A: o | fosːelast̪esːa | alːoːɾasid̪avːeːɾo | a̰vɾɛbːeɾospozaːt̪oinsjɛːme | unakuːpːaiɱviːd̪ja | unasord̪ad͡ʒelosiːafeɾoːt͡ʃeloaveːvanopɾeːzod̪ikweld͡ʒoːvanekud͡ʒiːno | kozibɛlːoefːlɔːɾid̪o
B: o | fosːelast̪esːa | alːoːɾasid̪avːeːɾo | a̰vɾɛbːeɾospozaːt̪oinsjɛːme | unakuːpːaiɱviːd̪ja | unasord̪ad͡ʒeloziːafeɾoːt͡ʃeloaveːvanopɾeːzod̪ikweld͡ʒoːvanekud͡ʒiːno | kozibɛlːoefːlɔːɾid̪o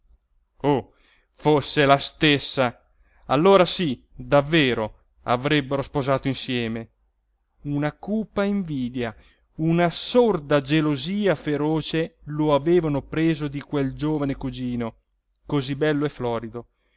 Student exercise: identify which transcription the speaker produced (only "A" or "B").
B